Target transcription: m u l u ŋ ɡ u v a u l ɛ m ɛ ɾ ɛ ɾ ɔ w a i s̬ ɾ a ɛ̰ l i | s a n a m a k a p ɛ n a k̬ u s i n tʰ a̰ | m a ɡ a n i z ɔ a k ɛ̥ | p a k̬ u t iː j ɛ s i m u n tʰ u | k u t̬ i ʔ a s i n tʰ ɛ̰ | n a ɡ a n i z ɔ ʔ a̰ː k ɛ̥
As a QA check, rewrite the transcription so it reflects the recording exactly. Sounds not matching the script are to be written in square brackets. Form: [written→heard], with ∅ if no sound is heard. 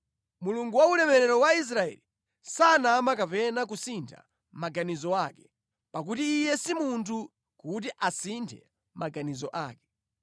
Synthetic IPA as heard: m u l u ŋ ɡ u [v→w] a u l ɛ m ɛ ɾ ɛ ɾ ɔ w a i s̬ ɾ a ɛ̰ l i | s a n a m a k a p ɛ n a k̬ u s i n tʰ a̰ | m a ɡ a n i z ɔ a k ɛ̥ | p a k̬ u t iː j ɛ s i m u n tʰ u | k u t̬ i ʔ a s i n tʰ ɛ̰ | [n→m] a ɡ a n i z ɔ ʔ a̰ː k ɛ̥